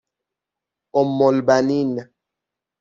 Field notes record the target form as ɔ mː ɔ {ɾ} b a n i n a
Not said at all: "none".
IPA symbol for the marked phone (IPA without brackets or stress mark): l